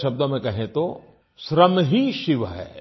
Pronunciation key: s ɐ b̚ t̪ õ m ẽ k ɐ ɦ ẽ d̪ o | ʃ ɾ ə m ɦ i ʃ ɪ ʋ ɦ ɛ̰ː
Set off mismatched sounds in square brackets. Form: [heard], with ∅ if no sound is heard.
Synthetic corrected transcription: [ʃ] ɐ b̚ [d̪] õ m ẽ k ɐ ɦ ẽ [t̪] o | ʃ ɾ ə m ɦ i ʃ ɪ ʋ ɦ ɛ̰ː